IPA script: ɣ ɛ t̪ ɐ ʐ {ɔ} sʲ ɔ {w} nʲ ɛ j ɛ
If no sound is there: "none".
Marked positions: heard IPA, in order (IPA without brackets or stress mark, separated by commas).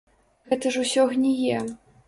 u, ɣ